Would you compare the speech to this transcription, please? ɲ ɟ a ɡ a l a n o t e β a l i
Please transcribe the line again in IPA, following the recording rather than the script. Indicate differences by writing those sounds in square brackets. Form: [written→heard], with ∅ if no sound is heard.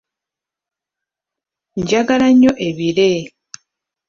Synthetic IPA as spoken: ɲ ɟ a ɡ a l a [n→ɲ] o [t→ʔ] e β [a→i] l [i→e]